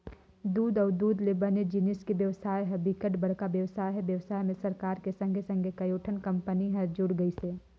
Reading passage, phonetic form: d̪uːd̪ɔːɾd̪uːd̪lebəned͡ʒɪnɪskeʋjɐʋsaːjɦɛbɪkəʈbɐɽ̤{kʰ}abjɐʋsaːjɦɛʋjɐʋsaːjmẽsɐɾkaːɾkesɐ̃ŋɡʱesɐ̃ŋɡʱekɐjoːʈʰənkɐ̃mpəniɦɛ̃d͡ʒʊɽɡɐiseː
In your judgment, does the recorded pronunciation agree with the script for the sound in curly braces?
no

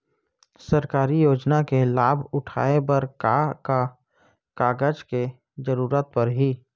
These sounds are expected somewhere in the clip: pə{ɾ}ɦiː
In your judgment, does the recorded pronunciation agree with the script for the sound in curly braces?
yes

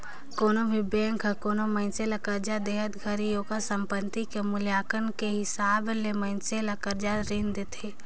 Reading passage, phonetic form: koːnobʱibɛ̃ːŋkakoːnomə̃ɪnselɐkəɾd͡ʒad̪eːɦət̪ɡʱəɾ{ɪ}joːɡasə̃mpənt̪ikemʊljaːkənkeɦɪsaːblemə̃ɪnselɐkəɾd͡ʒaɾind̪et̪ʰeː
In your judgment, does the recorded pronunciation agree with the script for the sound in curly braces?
no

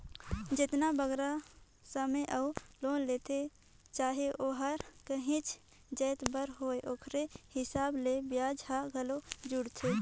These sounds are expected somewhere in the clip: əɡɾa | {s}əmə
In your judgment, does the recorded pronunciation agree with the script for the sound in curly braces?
yes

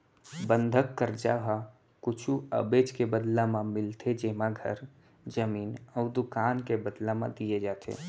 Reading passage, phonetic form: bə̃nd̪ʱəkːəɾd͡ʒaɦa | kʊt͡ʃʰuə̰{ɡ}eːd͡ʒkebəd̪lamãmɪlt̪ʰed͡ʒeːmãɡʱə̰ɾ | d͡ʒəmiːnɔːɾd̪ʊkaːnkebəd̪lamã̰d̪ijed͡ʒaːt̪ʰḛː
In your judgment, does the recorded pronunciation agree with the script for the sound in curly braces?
no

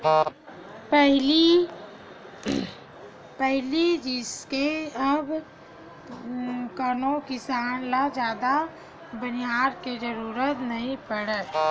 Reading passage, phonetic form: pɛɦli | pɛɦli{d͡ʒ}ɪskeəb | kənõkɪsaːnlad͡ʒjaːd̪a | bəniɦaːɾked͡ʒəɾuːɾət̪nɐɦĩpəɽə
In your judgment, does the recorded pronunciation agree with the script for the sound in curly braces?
yes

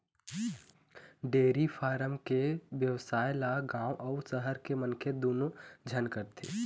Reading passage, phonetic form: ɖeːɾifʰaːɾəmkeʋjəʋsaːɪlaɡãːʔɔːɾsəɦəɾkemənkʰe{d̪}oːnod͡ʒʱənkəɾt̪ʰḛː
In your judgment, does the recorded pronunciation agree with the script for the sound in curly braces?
yes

